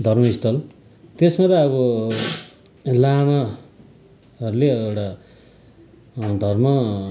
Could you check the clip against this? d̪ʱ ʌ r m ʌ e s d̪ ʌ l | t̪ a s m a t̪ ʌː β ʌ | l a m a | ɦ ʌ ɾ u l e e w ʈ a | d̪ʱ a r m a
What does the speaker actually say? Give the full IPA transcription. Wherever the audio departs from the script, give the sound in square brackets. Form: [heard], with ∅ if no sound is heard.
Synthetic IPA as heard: d̪ʱ ʌ r m ʌ [i] s [t̪] ʌ l | t̪ [e] s m a t̪ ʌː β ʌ | l a m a | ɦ ʌ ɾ u l e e w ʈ a | d̪ʱ [ʌ] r m [ʌ]